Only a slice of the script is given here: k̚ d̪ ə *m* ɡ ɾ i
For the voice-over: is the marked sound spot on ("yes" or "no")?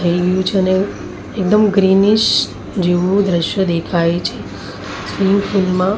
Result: yes